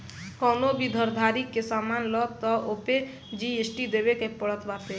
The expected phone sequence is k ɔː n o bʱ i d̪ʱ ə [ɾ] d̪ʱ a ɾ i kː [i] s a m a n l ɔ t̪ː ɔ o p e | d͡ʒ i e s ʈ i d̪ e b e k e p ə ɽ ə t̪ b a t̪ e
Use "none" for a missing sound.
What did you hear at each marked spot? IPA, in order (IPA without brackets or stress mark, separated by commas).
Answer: ɾ, e